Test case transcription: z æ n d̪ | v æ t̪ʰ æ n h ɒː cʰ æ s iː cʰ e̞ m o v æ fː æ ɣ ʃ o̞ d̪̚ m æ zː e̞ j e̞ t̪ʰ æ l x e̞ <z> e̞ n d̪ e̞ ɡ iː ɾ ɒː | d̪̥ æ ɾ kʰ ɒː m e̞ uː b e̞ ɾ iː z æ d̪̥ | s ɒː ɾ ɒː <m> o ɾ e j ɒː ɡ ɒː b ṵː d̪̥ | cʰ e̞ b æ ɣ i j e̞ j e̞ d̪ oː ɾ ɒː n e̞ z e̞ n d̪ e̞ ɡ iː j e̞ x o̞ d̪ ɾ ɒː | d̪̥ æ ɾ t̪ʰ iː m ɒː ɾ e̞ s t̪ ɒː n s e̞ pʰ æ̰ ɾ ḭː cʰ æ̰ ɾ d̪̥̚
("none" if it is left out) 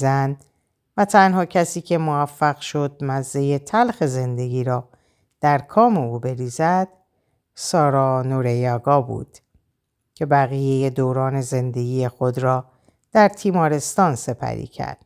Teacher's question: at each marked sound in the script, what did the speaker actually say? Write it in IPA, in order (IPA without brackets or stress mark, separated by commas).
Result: z, n